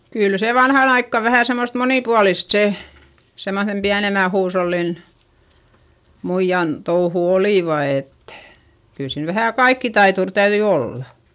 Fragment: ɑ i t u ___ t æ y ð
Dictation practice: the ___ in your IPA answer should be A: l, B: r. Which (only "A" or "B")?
B